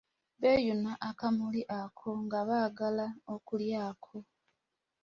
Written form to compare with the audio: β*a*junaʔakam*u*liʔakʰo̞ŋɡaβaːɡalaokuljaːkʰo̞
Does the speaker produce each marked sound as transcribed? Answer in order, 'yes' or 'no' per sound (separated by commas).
no, yes